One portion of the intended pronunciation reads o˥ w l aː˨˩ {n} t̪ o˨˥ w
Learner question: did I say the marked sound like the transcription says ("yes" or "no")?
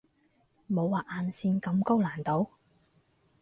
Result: yes